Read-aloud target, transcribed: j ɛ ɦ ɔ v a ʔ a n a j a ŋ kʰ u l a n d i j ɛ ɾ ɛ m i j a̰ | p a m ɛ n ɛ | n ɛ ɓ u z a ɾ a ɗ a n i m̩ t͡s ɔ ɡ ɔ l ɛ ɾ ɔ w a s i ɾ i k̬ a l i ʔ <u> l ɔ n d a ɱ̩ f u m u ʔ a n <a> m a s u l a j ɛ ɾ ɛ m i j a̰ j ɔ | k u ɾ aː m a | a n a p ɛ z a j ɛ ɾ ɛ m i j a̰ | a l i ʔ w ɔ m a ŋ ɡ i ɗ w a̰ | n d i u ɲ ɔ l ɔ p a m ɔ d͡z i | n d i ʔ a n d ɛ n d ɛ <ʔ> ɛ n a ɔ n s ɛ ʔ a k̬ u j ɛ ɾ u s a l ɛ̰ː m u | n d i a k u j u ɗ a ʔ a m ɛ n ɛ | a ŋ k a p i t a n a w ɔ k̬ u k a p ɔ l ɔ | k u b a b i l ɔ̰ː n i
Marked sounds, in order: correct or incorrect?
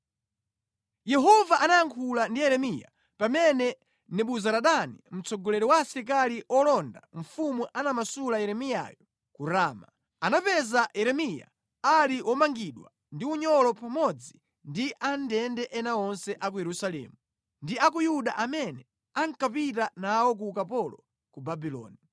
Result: incorrect, correct, correct

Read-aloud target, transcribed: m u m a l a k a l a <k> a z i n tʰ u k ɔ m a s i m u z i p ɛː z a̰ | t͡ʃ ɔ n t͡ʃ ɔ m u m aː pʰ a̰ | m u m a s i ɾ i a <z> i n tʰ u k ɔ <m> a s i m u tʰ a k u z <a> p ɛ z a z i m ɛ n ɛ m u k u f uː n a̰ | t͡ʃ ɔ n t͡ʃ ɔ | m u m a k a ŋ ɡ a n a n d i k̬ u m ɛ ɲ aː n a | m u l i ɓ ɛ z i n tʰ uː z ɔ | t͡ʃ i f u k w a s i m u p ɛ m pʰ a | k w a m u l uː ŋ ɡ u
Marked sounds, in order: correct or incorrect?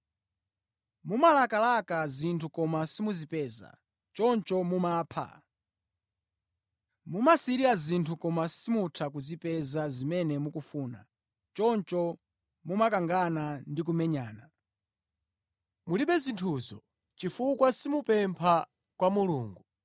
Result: correct, correct, correct, incorrect

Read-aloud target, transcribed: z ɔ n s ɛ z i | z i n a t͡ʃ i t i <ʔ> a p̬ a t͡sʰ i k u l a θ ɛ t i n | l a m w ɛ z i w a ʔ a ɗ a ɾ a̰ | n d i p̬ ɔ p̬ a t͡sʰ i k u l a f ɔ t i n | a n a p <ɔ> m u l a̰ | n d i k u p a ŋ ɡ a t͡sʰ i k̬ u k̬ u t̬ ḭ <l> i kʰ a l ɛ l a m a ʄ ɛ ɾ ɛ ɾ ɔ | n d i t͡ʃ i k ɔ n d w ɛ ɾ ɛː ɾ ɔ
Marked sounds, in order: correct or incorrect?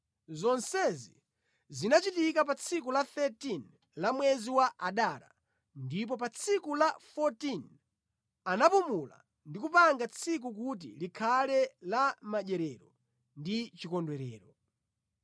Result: incorrect, incorrect, correct

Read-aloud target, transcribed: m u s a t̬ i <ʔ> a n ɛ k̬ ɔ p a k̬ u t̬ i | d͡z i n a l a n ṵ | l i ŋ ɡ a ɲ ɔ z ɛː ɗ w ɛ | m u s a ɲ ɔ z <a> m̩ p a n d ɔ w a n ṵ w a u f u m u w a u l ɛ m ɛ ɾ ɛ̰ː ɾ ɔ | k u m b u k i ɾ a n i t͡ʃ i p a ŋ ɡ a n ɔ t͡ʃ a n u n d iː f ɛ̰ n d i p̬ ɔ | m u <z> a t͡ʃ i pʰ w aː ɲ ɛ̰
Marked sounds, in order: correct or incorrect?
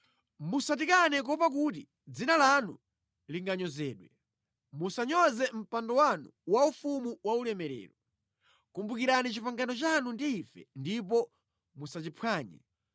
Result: incorrect, incorrect, incorrect

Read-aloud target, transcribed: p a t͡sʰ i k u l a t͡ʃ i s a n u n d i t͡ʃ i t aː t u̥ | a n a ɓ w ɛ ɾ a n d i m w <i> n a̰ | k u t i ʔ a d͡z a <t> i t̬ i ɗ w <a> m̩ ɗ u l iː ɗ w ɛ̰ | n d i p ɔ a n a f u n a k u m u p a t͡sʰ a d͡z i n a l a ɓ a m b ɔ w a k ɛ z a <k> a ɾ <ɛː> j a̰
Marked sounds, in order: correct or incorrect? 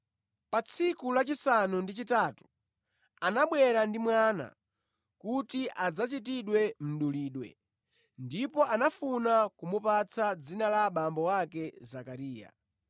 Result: incorrect, incorrect, incorrect, correct, incorrect

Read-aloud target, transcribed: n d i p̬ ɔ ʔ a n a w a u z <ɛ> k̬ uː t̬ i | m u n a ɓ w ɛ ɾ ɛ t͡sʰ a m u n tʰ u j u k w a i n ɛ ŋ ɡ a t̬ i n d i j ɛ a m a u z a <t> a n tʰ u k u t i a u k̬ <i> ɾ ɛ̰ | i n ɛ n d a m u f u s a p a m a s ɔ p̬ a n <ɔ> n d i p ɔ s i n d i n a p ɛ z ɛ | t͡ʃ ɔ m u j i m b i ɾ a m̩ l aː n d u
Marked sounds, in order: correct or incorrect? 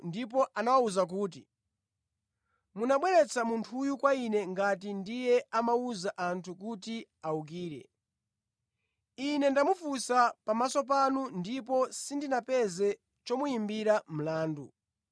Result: incorrect, incorrect, incorrect, incorrect

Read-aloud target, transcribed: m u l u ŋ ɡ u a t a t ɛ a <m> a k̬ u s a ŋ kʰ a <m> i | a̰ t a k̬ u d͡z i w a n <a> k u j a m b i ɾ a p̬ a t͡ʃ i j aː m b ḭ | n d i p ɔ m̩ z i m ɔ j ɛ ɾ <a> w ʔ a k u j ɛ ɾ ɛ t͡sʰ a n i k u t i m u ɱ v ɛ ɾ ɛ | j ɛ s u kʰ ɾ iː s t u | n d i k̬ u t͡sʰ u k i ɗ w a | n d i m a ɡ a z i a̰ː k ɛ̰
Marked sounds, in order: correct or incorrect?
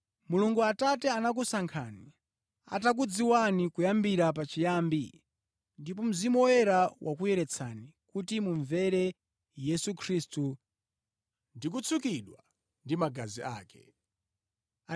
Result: incorrect, incorrect, incorrect, correct

